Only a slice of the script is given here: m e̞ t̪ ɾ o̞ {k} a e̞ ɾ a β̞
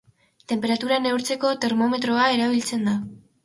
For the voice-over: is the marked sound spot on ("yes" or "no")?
no